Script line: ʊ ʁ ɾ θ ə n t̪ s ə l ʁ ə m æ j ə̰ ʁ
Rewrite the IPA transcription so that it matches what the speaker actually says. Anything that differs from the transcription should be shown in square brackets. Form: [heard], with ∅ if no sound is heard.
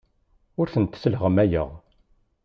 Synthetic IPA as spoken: ʊ [∅] ɾ θ ə n t̪ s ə l ʁ ə m æ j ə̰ ʁ